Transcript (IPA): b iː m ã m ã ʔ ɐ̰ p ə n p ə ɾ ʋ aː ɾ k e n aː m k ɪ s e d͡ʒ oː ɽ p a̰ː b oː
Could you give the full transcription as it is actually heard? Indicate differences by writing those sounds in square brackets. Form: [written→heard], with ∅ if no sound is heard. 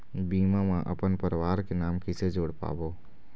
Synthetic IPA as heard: b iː m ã m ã ʔ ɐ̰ p ə n p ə ɾ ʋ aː ɾ k e n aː m k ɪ s e d͡ʒ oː ɽ p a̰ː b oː